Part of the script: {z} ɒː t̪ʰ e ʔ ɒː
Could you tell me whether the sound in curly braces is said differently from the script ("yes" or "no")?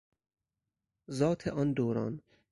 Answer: no